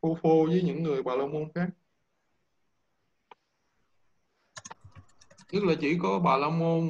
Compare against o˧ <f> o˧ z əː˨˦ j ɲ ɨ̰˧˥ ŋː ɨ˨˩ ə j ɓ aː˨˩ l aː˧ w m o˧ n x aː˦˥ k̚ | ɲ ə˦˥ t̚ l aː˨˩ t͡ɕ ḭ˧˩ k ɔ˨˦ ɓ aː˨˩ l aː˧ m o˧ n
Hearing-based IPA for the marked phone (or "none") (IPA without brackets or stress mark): f